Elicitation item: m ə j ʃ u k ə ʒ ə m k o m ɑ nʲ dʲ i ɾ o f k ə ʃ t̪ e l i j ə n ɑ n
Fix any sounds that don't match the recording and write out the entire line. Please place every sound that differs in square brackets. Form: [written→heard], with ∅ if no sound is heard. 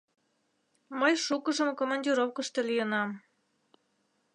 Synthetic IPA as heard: m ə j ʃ u k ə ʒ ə m k o m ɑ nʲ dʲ i ɾ o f k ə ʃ t̪ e l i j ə n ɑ [n→m]